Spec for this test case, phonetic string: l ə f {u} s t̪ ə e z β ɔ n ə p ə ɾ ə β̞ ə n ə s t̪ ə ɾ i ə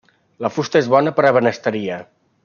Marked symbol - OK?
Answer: yes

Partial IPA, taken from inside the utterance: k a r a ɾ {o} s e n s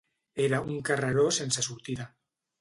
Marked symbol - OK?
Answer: yes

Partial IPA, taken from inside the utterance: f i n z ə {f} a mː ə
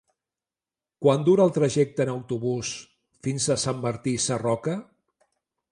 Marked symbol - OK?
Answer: no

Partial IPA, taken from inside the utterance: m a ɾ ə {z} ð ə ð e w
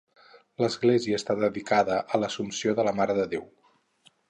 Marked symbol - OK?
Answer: no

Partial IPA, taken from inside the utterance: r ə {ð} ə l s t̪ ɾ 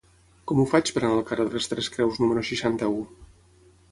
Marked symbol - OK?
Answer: yes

